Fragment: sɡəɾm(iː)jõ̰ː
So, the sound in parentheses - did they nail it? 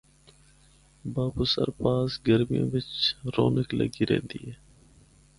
no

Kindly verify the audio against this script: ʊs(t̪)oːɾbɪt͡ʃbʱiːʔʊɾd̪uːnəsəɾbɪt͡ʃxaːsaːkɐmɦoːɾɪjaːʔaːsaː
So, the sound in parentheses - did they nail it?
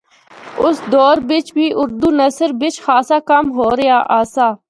no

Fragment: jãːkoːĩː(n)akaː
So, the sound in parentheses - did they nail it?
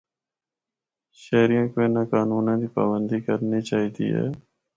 yes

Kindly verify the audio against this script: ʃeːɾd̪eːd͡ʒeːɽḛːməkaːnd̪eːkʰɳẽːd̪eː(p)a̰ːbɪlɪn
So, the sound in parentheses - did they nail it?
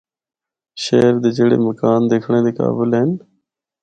no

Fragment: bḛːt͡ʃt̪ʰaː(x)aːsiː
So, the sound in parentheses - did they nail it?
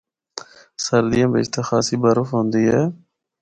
yes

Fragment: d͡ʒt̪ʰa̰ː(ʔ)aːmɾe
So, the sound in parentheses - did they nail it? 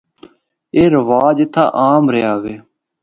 yes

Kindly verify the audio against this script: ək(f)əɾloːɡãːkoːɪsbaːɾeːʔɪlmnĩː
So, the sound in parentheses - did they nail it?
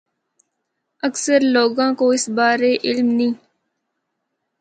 no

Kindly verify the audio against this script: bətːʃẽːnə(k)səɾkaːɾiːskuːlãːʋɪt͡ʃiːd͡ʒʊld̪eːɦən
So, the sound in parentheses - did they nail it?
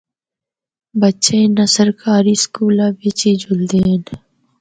no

